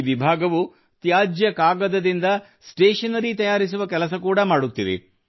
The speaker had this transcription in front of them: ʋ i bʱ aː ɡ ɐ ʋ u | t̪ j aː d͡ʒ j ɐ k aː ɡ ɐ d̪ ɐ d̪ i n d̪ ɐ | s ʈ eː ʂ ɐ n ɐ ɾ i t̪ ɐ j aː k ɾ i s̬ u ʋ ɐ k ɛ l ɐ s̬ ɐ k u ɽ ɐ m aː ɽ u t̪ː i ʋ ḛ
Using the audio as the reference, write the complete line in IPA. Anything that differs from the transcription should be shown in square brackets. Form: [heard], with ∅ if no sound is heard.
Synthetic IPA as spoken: ʋ i bʱ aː ɡ ɐ ʋ u | t̪ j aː d͡ʒ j ɐ k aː ɡ ɐ d̪ ɐ d̪ i n d̪ ɐ | s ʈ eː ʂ ɐ n ɐ ɾ i t̪ ɐ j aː [∅] ɾ i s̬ u ʋ ɐ k ɛ l ɐ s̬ ɐ k [uː] ɽ ɐ m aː ɽ u t̪ː i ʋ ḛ